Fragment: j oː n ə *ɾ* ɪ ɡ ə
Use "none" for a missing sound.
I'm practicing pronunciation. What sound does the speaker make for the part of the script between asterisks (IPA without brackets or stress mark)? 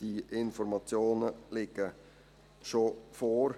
l